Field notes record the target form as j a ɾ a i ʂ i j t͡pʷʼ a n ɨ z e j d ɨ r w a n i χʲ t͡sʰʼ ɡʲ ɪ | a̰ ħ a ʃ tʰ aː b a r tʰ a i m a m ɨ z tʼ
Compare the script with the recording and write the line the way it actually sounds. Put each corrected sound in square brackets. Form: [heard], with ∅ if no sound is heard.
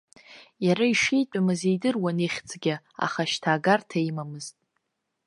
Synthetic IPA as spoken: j a ɾ a i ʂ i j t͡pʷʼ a [m] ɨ z e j d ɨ r w a n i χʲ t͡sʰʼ ɡʲ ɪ | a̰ [χ] a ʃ tʰ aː [ɡ] a r tʰ a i m a m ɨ z tʼ